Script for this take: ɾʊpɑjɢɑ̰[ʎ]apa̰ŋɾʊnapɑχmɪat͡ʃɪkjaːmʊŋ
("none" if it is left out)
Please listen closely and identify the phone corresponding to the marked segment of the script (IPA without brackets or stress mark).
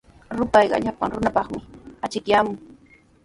ʎ